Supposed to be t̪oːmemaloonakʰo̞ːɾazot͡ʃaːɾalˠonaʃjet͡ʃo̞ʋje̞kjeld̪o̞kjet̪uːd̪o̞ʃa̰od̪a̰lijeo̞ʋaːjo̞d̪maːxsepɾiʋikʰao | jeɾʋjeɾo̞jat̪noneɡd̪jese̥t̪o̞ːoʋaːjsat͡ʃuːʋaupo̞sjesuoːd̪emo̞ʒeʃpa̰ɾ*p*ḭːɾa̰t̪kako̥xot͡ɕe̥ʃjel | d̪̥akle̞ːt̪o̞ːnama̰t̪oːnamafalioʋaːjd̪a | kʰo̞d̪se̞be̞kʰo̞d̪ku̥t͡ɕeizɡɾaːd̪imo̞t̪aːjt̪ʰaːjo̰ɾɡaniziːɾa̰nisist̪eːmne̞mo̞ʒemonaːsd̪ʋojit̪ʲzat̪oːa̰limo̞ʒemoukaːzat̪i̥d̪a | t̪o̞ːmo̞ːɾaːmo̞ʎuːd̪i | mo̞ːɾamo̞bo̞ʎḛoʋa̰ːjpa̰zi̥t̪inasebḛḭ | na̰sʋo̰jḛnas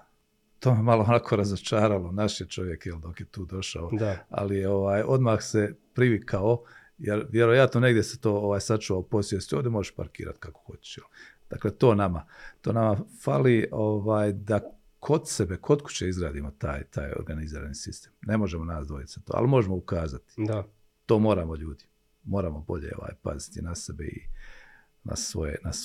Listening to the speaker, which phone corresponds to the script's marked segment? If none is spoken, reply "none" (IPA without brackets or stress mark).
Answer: k